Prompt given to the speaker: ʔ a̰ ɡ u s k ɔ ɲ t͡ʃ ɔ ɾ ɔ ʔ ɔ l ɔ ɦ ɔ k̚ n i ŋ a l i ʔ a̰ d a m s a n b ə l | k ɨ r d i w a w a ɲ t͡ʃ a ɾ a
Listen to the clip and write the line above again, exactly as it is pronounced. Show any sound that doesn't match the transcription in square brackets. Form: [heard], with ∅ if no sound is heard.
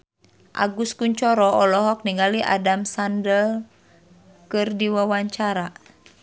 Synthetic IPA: ʔ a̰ ɡ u s k [u] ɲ t͡ʃ ɔ ɾ ɔ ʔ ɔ l ɔ ɦ ɔ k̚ n i ŋ a l i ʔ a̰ d a m s a n [d] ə l | k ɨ r d i w a w a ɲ t͡ʃ a ɾ a